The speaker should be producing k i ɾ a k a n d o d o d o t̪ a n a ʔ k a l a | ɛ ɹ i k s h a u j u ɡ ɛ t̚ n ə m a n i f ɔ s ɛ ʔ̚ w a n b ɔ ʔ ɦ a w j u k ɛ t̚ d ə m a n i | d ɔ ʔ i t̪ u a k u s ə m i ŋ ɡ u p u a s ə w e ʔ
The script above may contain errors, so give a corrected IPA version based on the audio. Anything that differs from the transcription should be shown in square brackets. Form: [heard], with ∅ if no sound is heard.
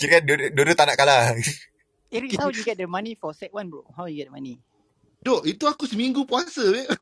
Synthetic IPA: k i ɾ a k a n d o d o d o t̪ a n a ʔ k a l a | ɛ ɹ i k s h a [w] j u ɡ ɛ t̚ [d] ə m a n i f ɔ s ɛ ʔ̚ w a n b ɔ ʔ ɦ a w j u [ɡ] ɛ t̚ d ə m a n i | d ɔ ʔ i t̪ u a k u s ə m i ŋ ɡ u p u a s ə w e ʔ